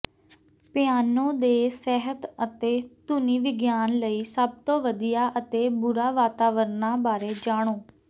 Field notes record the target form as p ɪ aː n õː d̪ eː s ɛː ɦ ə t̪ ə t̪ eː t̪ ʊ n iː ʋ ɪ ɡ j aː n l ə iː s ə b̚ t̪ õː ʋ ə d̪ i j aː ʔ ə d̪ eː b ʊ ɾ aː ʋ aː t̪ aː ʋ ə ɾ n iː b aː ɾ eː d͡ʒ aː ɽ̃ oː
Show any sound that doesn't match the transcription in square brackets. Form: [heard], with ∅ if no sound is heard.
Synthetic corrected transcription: p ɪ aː n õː d̪ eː s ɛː ɦ ə t̪ ə t̪ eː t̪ ʊ n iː ʋ ɪ ɡ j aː n l ə iː s ə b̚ t̪ õː ʋ ə d̪ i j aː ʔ ə [t̪] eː b ʊ ɾ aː ʋ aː t̪ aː ʋ ə ɾ n [aː] b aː ɾ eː d͡ʒ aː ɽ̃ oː